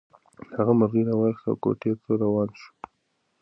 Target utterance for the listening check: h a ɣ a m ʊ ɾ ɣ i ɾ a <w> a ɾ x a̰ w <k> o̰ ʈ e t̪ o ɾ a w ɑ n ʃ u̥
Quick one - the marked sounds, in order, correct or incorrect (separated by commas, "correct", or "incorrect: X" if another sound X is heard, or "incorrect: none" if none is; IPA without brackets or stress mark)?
correct, correct